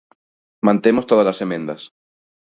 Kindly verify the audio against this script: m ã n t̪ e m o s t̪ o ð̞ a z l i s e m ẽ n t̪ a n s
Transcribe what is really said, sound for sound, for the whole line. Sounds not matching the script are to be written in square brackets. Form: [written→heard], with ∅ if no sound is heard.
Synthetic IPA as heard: m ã n t̪ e m o s t̪ o ð̞ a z l [i→a] s e m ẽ n [t̪→d̪] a [n→∅] s